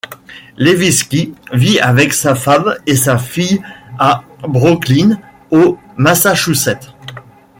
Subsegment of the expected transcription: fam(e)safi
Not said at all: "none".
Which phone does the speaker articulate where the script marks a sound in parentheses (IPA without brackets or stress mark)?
e